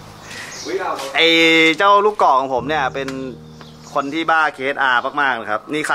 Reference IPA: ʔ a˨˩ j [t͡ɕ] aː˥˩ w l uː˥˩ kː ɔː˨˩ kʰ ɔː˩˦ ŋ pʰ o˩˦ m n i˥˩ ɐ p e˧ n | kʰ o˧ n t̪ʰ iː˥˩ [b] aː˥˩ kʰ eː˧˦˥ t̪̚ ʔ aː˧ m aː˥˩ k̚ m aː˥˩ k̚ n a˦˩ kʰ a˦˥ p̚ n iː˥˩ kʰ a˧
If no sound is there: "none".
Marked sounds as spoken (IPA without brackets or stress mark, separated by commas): t͡ɕ, b